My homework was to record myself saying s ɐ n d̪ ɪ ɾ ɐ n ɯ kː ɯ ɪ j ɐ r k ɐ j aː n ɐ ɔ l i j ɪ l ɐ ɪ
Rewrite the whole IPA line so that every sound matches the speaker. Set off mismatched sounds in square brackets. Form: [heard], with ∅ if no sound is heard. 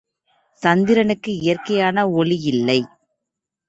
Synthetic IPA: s ɐ n d̪ ɪ ɾ ɐ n ɯ kː ɯ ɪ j ɐ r k ɐ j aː n ɐ ɔ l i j ɪ [lː] ɐ ɪ